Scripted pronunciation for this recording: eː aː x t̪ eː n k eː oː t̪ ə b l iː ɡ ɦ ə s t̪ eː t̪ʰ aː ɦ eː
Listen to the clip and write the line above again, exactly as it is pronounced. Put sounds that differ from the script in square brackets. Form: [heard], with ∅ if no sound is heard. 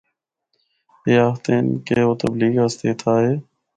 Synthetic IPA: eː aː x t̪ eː n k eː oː t̪ ə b l iː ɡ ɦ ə s t̪ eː t̪ʰ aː ɦ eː